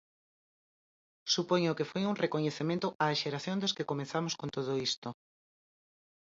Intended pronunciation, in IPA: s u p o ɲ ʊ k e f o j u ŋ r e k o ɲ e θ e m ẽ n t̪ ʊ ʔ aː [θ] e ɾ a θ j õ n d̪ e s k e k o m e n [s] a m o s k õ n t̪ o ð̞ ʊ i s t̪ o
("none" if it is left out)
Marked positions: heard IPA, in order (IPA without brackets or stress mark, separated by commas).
ʃ, θ